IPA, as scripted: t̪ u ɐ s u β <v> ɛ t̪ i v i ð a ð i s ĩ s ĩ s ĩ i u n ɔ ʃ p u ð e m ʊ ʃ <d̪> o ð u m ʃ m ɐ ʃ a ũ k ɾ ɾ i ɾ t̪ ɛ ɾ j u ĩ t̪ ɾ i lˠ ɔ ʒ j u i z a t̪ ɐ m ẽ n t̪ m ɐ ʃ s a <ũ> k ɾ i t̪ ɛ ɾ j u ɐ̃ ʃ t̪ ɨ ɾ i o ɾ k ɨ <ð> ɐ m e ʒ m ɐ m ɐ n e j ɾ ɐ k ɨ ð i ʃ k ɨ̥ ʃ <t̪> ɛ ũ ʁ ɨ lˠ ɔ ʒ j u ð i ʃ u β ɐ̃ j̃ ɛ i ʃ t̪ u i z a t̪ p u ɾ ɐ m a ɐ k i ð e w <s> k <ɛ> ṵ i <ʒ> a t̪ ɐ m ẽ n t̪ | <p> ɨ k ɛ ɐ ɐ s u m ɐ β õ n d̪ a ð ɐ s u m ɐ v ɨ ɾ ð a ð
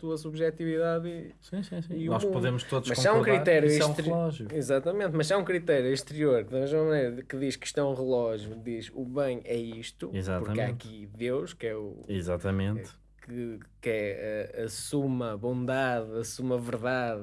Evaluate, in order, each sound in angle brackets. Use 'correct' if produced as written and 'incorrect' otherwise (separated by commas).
incorrect, incorrect, correct, correct, correct, incorrect, correct, incorrect, incorrect